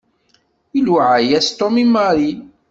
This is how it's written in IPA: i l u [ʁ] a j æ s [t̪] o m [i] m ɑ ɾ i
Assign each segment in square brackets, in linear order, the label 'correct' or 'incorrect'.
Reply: incorrect, correct, correct

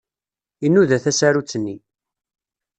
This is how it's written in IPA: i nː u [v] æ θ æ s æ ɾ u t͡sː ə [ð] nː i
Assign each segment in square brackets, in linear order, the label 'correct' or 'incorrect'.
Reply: incorrect, incorrect

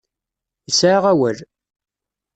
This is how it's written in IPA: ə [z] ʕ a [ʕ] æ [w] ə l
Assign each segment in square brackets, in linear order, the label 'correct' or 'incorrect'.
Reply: incorrect, incorrect, correct

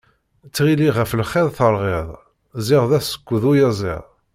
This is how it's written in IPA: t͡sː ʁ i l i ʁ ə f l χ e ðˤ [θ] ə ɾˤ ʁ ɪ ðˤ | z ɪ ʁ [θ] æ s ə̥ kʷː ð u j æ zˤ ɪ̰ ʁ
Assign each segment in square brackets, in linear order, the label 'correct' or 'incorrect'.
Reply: correct, incorrect

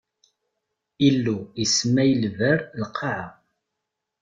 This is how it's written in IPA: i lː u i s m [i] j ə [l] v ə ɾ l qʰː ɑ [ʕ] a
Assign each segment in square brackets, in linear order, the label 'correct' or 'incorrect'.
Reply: incorrect, correct, correct

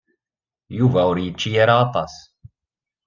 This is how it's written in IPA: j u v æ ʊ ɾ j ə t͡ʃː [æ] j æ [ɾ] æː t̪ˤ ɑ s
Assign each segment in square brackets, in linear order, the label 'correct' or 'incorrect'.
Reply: incorrect, correct

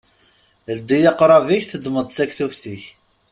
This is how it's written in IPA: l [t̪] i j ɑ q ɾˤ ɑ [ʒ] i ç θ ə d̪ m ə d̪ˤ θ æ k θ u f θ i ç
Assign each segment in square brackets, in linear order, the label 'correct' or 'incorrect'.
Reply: incorrect, incorrect

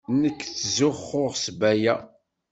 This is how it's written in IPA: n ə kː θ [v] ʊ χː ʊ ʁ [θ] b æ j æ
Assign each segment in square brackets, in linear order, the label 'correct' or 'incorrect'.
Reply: incorrect, incorrect

